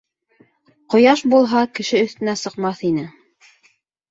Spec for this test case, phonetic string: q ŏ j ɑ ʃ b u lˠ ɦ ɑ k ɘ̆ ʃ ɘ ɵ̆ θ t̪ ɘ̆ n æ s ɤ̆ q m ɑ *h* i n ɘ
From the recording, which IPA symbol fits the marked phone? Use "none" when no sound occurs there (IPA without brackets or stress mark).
θ